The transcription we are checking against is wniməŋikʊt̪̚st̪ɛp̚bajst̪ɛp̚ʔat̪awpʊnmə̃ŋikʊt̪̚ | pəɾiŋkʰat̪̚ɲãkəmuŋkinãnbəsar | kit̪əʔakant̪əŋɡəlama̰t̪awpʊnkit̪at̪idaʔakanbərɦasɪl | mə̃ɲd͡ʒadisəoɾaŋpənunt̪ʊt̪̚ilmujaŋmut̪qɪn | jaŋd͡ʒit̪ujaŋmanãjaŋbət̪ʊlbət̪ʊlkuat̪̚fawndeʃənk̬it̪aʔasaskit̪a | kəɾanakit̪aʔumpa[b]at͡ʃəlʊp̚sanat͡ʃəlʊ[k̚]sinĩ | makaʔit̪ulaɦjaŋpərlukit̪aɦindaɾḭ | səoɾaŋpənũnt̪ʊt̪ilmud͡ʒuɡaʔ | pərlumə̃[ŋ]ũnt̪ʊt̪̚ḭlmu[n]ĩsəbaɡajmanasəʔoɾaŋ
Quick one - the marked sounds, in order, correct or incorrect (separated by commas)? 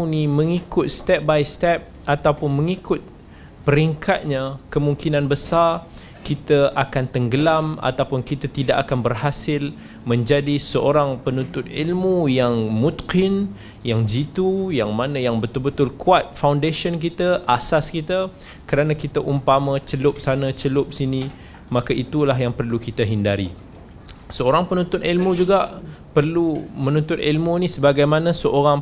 incorrect, incorrect, incorrect, correct